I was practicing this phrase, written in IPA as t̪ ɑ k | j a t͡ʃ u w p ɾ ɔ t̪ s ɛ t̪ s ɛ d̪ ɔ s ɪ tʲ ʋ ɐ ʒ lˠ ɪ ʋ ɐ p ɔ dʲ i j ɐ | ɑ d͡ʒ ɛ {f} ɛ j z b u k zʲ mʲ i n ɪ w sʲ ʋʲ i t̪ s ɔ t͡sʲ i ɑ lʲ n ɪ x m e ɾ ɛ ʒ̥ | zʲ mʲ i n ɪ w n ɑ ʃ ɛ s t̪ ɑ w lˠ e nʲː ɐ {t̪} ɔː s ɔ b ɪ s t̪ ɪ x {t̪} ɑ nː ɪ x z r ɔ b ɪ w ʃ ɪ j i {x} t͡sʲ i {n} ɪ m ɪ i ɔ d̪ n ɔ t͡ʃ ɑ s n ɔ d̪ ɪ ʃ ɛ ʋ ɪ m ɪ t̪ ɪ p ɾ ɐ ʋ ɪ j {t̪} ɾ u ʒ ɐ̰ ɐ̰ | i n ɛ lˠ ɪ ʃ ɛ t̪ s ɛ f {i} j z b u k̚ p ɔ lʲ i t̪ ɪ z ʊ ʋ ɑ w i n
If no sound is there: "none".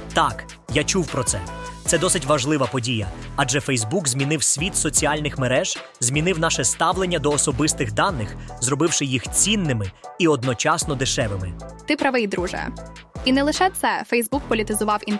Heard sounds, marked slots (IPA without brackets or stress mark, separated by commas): f, d̪, d̪, x, nː, d̪, ɛ